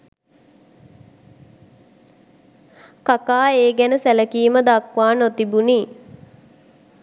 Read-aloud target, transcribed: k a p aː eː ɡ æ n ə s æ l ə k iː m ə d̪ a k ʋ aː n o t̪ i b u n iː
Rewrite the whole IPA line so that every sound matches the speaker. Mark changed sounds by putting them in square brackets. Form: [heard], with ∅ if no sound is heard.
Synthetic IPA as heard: k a [k] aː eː ɡ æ n ə s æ l ə k iː m ə d̪ a k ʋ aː n o t̪ i b u n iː